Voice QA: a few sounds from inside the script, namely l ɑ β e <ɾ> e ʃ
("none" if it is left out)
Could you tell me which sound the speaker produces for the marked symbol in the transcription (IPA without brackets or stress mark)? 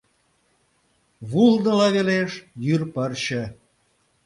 l